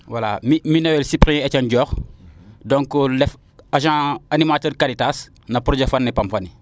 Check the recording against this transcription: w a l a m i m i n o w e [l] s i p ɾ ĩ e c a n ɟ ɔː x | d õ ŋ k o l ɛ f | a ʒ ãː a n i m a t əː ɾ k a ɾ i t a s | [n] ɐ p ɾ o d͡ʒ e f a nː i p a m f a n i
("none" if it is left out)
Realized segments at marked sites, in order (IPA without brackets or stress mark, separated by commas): l, n